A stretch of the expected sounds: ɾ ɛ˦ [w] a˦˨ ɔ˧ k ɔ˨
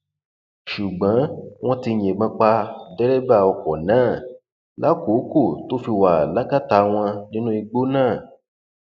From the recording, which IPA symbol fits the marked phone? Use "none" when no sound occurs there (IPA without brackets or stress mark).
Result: b